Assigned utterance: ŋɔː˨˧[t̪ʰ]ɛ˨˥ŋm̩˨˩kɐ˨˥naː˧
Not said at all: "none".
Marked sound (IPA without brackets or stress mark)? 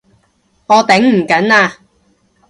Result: t̪